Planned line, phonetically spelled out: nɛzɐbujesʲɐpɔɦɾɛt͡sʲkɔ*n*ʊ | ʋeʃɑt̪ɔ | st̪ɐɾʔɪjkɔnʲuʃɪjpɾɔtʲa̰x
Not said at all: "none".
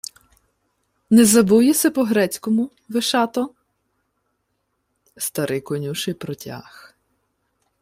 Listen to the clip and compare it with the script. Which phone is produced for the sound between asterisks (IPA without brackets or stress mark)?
m